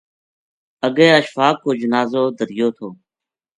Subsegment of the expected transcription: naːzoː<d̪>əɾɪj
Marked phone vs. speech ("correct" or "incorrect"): correct